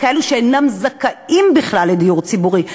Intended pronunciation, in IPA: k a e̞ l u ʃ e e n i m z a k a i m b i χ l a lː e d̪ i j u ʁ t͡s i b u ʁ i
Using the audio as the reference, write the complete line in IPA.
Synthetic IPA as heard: k a e̞ l u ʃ e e n a m z a k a i m b i χ l a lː e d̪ i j u ʁ t͡s i b u ʁ i